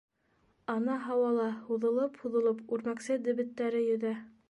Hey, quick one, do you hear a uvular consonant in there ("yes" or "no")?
no